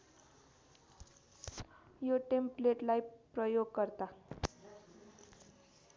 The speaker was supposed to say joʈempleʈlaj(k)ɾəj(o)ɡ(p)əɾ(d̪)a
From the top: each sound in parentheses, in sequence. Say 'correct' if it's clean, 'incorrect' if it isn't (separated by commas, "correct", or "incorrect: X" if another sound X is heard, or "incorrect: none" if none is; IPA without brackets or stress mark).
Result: incorrect: p, correct, incorrect: k, incorrect: t̪